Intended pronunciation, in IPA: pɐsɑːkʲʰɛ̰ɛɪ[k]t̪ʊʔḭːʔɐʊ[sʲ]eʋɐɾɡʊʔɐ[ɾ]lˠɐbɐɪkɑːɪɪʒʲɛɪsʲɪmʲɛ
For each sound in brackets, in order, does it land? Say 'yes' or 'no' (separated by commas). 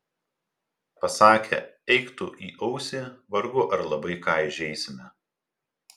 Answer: yes, yes, yes